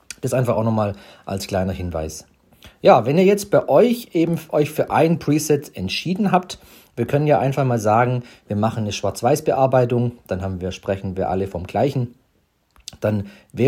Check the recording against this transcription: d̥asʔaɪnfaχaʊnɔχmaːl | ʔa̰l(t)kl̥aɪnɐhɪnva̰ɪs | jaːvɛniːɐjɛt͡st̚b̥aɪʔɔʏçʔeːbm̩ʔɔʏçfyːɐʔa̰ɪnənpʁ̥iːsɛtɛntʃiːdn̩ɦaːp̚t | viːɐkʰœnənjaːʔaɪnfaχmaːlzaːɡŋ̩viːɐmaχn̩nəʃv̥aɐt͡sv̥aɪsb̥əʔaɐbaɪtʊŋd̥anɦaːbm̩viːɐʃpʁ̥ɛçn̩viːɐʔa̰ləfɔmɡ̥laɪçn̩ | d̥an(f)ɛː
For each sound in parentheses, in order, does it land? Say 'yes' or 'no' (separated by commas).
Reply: no, no